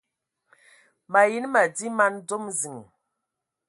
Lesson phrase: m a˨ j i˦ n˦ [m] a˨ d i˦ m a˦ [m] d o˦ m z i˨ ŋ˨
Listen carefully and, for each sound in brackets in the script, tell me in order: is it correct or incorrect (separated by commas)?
correct, incorrect